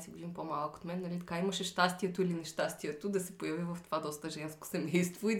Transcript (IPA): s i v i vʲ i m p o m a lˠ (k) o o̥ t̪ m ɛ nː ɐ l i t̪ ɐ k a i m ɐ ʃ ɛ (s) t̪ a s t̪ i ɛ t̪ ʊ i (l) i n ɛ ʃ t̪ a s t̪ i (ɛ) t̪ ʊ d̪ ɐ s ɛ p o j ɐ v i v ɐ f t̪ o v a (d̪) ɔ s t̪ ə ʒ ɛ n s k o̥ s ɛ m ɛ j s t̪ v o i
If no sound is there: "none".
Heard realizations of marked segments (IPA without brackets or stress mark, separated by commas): k, ʃ, l, ɛ, d̪